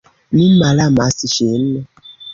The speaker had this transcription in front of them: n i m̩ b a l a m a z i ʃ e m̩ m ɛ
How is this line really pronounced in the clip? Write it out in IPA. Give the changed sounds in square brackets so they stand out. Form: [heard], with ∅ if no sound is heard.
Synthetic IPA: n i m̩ [m] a l a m a [s] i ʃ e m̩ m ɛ